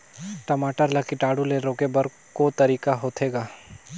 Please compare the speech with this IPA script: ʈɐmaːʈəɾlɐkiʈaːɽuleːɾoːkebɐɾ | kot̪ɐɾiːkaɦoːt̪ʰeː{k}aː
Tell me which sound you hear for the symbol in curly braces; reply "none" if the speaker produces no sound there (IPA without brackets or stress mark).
ɡ